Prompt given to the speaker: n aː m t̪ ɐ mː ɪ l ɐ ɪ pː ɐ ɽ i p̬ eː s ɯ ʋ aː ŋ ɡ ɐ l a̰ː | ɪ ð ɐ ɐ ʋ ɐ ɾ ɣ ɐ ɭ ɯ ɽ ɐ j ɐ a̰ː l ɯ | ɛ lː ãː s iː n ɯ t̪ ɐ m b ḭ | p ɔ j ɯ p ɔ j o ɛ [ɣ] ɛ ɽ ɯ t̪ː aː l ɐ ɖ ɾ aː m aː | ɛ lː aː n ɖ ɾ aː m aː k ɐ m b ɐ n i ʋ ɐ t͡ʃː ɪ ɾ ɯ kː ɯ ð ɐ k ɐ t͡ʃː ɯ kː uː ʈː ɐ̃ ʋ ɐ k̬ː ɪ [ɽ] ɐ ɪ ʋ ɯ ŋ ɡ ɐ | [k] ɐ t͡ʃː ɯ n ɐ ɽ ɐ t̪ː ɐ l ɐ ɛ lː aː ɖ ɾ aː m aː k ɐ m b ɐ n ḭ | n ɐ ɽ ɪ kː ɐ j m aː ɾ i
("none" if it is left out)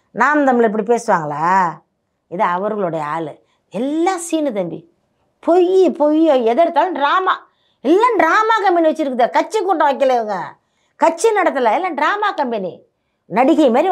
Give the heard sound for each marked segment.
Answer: ð, l, k

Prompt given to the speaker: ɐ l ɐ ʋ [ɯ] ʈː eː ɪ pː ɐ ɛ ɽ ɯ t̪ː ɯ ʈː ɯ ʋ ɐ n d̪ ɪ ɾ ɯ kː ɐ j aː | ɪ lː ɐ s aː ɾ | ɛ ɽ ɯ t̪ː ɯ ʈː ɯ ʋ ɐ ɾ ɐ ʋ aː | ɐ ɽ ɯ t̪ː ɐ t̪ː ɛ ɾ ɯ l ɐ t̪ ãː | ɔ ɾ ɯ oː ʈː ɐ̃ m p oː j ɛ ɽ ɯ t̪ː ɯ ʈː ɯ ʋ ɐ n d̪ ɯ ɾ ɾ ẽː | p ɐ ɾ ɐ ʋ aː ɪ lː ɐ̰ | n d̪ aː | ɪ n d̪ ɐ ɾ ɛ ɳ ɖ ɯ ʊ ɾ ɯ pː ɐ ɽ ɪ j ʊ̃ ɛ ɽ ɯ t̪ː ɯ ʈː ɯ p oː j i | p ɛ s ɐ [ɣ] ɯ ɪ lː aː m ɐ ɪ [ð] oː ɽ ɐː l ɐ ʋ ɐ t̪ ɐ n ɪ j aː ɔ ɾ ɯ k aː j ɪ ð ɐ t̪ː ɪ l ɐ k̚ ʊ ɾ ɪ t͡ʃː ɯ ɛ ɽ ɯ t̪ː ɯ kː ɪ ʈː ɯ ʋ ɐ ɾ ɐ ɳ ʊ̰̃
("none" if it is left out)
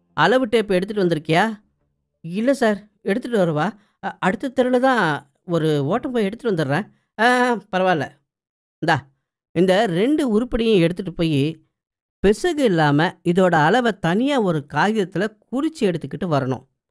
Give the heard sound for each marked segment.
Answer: ɯ, ɣ, ð

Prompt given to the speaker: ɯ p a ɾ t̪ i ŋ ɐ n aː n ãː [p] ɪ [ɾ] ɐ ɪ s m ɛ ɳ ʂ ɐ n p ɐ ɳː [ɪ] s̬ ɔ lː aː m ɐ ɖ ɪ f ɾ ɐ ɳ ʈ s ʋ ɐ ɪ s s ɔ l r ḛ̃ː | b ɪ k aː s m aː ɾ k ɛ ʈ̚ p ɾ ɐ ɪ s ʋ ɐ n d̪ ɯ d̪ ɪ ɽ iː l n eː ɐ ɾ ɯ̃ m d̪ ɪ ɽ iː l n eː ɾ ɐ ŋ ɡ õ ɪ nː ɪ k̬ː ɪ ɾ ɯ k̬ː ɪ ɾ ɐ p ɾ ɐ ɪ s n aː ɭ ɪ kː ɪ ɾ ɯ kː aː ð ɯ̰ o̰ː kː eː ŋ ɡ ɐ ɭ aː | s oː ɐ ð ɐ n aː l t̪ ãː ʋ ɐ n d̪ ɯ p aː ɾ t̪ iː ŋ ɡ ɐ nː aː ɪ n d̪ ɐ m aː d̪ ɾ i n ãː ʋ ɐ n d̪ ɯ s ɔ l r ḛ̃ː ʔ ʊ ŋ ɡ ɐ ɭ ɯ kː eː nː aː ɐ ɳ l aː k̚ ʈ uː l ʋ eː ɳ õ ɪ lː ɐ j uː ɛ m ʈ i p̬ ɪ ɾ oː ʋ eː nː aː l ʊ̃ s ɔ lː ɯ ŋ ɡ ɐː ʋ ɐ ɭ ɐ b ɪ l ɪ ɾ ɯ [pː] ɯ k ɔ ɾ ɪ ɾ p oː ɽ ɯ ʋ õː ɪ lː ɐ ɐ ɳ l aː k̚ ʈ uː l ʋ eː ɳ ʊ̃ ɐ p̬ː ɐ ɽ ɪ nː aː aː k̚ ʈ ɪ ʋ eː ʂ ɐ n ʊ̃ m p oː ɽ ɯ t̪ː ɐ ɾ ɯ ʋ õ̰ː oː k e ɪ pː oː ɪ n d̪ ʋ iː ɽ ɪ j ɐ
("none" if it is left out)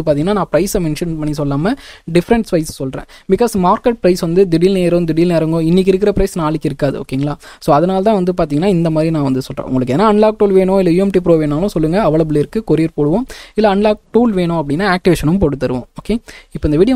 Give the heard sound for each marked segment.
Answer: p, ɾ, i, kː

